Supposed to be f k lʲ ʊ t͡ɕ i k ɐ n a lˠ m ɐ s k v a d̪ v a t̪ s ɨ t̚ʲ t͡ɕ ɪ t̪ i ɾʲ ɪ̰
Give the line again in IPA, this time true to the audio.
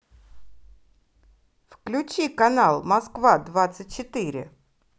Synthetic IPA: f k lʲ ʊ t͡ɕ i k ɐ n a lˠ m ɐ s k v a d̪ v a t̪ s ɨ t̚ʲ t͡ɕ ɪ t̪ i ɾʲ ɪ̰